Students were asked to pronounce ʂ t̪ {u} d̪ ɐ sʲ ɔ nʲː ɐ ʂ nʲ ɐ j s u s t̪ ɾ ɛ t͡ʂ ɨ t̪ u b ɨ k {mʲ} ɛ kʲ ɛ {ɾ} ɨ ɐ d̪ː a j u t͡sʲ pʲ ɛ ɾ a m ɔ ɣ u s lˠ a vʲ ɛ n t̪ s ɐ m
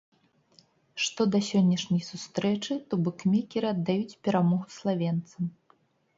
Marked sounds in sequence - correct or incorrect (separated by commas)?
incorrect, correct, correct